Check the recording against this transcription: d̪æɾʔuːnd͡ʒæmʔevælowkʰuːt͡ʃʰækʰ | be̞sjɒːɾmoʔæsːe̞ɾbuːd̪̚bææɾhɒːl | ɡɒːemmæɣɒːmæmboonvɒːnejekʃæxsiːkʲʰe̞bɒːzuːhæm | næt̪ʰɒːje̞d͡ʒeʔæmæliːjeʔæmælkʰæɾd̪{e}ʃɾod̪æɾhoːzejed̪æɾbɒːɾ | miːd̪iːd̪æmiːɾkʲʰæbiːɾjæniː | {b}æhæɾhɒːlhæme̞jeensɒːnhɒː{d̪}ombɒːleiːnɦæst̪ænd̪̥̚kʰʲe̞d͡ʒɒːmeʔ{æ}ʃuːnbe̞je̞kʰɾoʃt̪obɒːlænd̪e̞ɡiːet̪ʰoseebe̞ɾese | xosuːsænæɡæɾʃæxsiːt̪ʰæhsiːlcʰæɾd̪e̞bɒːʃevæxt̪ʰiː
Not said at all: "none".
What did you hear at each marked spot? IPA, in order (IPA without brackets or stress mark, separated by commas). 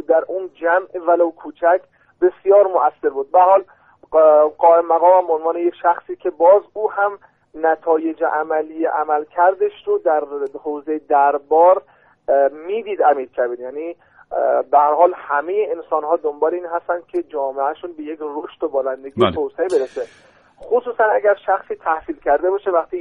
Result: e, b, d̪, æ